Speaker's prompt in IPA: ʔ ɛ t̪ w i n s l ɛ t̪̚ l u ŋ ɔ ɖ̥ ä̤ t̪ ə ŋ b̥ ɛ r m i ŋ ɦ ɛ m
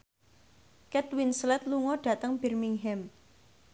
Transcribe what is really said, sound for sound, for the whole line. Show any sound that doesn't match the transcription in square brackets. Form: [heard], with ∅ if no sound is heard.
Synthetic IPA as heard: [k] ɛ t̪ w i n s l ɛ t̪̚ l u ŋ ɔ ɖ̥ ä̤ t̪ ə ŋ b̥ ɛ r m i ŋ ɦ ɛ m